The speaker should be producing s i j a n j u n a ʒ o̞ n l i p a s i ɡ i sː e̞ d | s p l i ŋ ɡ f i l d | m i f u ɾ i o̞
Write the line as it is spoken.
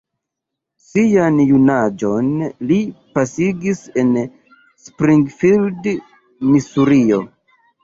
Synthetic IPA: s i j a n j u n a d͡ʒ o̞ n l i p a s i ɡ i s e̞ n | s p ɾ i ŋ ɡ f i l d | m i s u ɾ i o̞